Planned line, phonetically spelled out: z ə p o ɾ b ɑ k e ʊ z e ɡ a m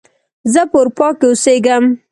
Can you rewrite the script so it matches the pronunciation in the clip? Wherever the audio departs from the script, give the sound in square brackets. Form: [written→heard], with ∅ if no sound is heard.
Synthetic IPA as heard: z ə p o ɾ [b→p] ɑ k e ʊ [z→s] e ɡ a m